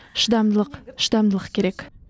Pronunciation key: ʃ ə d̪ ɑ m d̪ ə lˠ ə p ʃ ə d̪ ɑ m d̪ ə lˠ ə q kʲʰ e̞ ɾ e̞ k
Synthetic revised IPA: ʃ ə d̪ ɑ m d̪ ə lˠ ə q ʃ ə d̪ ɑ m d̪ ə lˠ ə q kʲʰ e̞ ɾ e̞ k